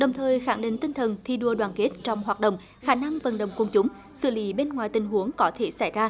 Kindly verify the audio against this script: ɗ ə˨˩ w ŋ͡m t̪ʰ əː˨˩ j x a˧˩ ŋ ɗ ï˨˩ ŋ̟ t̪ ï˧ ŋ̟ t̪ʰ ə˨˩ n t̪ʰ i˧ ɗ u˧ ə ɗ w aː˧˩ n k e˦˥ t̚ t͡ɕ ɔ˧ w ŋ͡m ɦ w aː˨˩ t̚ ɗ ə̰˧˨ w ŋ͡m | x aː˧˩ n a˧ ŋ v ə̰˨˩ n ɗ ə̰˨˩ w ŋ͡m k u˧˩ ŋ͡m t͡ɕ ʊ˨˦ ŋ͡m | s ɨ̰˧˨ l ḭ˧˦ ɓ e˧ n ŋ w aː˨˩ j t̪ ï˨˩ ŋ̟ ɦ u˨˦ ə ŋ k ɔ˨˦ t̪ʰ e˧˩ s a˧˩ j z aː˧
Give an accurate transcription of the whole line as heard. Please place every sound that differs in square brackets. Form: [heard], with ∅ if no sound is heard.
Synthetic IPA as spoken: ɗ ə˨˩ w ŋ͡m t̪ʰ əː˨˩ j x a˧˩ ŋ ɗ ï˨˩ ŋ̟ t̪ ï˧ ŋ̟ t̪ʰ ə˨˩ n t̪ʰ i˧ ɗ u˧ ə ɗ w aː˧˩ n k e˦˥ t̚ t͡ɕ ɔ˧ w ŋ͡m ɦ w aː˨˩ t̚ ɗ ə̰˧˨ w ŋ͡m | x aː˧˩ n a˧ ŋ v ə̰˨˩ n ɗ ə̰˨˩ w ŋ͡m k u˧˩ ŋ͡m t͡ɕ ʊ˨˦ ŋ͡m | s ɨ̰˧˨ l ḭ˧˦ ɓ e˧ n ŋ w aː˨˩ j t̪ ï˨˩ ŋ̟ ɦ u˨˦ ə ŋ k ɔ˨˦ t̪ʰ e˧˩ s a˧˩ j z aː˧